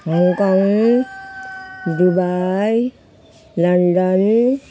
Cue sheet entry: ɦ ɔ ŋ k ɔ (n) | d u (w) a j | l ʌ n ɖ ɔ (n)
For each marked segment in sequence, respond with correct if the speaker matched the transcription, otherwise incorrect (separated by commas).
incorrect, incorrect, correct